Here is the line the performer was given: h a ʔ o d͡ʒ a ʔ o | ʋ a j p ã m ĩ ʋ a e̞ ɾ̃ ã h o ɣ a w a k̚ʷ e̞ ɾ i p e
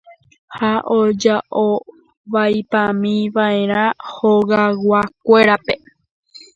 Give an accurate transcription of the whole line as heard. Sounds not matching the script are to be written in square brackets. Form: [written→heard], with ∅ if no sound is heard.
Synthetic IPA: h a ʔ o d͡ʒ a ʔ o | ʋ a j p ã m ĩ ʋ a e̞ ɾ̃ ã h o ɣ a w a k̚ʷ e̞ ɾ [i→a] p e